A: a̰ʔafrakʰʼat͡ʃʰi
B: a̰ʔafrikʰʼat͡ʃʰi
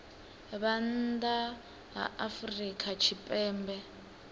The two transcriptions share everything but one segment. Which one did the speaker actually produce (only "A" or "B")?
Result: B